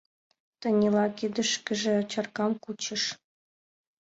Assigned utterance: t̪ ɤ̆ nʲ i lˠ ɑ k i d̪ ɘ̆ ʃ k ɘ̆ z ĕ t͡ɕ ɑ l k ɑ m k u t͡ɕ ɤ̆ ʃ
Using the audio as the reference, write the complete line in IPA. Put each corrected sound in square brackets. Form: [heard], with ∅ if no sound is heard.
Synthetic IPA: t̪ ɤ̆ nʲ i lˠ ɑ k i d̪ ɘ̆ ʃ k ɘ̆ [ʒ] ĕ t͡ɕ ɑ [r] k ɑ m k u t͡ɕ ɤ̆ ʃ